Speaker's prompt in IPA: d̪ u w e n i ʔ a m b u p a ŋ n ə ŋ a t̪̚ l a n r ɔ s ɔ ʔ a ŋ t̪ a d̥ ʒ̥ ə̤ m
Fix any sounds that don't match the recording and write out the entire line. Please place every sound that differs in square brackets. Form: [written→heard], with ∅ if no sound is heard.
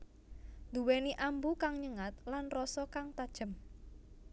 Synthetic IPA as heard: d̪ u w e n i ʔ a m b u [p→k] a ŋ [n→ɲ] ə ŋ a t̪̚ l a n r ɔ s ɔ [ʔ→k] a ŋ t̪ a d̥ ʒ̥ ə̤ m